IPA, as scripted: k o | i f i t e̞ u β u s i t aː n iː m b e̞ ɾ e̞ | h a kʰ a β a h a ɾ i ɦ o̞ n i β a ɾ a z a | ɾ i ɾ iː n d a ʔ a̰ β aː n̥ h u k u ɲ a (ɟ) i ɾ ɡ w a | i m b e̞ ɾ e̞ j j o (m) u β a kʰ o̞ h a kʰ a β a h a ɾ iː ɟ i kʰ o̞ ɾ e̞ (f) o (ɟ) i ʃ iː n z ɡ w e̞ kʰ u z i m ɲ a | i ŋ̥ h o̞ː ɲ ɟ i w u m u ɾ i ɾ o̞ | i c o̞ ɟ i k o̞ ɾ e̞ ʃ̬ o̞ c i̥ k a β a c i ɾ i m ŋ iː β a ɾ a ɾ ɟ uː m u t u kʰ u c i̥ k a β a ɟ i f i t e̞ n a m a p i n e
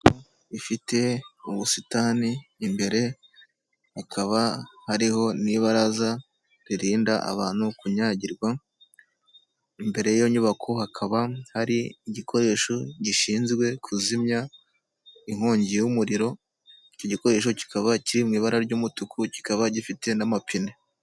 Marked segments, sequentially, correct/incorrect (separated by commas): correct, incorrect, incorrect, correct